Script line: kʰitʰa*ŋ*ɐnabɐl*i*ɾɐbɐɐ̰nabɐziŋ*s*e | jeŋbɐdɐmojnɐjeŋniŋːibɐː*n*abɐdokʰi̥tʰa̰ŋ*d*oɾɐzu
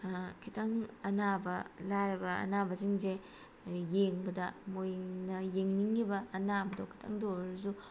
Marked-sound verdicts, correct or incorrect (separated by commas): correct, incorrect, incorrect, correct, correct